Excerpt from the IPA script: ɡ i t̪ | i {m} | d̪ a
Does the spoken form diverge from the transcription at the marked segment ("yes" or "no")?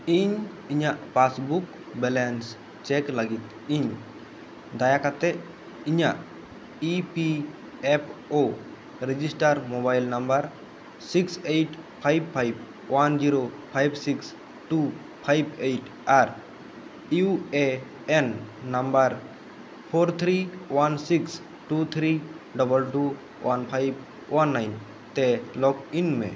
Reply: yes